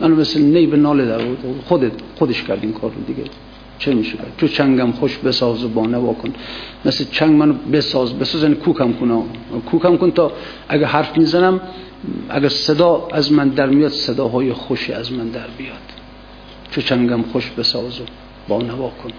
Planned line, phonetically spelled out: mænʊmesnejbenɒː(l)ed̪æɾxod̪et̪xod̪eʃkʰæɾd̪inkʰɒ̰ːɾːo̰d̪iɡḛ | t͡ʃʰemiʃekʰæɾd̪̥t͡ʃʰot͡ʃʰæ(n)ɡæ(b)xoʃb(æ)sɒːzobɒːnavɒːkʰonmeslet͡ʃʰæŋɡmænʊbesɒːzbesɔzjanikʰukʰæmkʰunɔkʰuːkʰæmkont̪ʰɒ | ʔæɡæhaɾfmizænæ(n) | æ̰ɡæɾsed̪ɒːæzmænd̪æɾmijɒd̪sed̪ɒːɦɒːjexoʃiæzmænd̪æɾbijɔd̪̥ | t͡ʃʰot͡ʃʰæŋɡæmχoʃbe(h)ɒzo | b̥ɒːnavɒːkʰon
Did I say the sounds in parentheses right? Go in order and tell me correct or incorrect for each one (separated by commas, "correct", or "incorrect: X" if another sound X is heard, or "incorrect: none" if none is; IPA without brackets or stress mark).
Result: correct, incorrect: ŋ, incorrect: m, incorrect: e, incorrect: m, incorrect: s